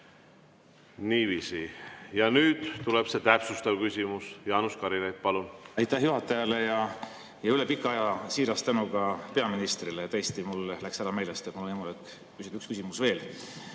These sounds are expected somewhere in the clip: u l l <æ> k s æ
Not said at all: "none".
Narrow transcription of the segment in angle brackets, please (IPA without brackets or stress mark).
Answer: æ